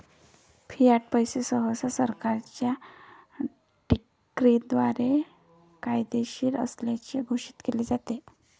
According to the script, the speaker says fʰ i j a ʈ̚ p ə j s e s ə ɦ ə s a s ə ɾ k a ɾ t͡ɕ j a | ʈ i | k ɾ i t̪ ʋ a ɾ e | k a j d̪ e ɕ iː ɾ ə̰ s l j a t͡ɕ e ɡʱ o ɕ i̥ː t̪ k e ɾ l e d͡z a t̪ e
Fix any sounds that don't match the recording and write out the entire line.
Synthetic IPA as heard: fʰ i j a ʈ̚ p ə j s e s ə ɦ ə s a s ə ɾ k a ɾ t͡ɕ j a | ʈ i | k ɾ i d̪ ʋ a ɾ e | k a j d̪ e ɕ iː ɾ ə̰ s l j a t͡ɕ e ɡʱ o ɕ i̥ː t̪ k e l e d͡z a t̪ e